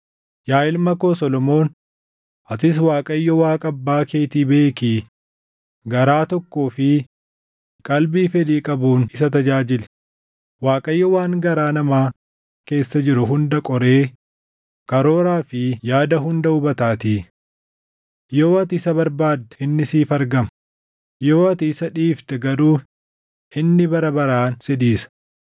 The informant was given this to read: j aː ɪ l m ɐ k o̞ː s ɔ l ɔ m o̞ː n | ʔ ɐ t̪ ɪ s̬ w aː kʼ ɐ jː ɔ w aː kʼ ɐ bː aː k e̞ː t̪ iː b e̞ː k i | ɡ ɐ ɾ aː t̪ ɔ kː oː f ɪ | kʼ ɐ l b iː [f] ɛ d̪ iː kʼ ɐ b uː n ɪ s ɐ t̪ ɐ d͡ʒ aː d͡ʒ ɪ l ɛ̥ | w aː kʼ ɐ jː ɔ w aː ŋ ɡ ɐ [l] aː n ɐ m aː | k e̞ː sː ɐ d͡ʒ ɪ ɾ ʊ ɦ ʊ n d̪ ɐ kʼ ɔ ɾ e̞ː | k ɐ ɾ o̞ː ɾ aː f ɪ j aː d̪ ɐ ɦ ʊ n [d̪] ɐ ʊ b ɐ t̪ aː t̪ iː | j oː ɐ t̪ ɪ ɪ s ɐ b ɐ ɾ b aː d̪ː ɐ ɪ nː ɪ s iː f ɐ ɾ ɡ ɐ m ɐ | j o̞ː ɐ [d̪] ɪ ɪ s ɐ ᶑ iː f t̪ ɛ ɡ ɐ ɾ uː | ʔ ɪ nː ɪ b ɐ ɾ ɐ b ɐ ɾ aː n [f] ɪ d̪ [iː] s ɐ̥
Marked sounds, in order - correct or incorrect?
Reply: correct, incorrect: ɾ, correct, incorrect: t̪, incorrect: s, correct

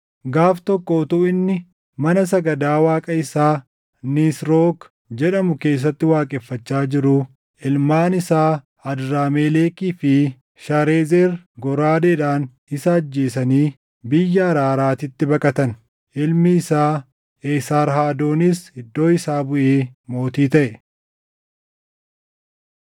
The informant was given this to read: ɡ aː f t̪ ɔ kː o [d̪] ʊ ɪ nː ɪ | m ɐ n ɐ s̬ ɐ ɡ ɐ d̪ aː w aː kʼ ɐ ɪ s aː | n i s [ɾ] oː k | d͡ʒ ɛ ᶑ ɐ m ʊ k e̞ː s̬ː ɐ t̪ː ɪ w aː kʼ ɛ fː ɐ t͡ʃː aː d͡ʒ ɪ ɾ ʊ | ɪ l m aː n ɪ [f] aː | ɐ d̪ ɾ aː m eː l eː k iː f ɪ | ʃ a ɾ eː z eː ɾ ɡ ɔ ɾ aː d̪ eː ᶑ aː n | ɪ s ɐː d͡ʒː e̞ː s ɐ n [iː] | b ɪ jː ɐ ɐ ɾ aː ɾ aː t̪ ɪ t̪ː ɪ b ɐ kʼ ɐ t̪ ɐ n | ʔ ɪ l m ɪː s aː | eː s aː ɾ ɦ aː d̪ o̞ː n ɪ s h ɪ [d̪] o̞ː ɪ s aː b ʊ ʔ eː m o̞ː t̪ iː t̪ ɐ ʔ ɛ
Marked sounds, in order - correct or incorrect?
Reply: incorrect: t̪, correct, incorrect: s, correct, incorrect: d̪ː

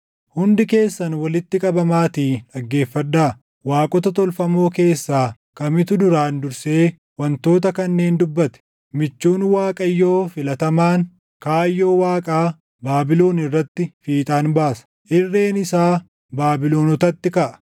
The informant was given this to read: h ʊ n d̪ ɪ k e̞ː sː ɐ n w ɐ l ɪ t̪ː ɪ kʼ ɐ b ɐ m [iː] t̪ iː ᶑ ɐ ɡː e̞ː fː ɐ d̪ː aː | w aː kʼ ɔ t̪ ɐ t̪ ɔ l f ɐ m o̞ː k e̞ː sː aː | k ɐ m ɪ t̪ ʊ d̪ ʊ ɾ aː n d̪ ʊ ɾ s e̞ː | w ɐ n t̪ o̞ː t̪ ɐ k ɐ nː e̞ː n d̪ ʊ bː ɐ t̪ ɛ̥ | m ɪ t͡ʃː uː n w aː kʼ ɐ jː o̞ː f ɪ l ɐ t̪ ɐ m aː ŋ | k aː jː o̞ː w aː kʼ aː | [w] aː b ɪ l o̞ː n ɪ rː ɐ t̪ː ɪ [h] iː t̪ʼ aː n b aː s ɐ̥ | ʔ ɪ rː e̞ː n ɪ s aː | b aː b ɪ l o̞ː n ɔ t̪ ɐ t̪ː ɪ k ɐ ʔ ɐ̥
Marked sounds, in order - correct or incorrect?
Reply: incorrect: aː, incorrect: b, incorrect: f

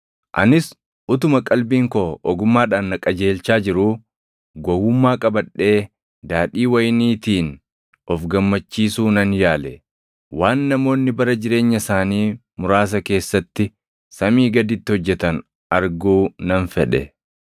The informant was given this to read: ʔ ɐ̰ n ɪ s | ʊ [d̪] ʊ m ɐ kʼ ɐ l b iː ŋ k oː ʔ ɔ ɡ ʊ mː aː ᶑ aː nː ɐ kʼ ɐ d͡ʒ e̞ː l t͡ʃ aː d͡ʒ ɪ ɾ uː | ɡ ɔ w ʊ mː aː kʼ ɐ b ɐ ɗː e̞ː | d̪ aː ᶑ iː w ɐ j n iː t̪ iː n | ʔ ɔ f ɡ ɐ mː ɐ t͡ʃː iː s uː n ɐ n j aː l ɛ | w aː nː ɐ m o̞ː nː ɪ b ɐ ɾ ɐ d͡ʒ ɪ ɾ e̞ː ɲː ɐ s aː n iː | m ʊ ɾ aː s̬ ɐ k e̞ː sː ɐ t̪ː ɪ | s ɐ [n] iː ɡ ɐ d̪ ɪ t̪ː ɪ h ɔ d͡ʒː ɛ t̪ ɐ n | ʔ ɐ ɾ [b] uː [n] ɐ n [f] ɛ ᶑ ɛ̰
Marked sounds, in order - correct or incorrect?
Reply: incorrect: t̪, incorrect: m, incorrect: ɡ, correct, correct

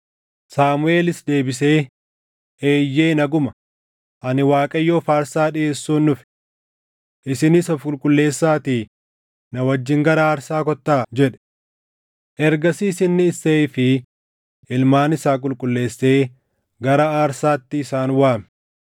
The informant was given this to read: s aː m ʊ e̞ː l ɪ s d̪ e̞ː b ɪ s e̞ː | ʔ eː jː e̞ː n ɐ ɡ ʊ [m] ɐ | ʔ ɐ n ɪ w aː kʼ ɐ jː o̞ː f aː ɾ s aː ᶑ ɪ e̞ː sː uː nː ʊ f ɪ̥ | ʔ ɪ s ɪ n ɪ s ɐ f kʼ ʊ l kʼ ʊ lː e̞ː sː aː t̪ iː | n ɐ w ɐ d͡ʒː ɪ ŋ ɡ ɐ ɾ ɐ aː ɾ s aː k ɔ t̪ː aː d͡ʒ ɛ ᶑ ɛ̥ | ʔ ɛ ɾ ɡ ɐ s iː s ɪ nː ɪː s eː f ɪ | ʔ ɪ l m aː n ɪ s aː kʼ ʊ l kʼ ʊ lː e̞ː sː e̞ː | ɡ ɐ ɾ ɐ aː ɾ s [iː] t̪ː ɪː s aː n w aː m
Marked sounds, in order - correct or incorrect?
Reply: correct, incorrect: aː

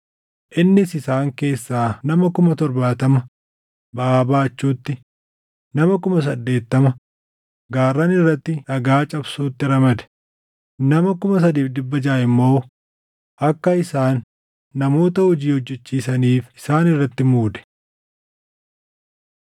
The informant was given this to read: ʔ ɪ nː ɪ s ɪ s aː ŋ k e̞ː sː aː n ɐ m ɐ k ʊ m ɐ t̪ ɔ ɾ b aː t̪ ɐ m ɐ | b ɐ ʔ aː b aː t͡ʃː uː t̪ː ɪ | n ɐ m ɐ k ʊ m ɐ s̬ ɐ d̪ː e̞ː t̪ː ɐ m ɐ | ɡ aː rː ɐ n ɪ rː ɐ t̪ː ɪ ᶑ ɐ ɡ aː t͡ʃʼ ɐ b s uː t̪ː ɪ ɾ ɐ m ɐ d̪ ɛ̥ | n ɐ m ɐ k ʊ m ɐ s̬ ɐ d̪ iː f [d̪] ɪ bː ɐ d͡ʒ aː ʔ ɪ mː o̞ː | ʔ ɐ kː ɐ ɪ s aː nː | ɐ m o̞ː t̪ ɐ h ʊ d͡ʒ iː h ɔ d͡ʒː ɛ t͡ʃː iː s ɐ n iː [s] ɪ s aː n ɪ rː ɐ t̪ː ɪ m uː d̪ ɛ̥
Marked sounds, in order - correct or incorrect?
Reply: correct, incorrect: f

